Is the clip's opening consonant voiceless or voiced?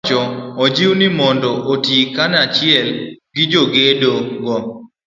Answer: voiceless